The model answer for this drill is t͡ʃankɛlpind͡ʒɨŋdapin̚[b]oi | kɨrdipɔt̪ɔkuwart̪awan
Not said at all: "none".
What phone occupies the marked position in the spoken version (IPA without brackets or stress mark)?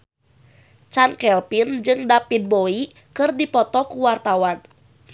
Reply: b